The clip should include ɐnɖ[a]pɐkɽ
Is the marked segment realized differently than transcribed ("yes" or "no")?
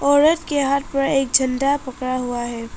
no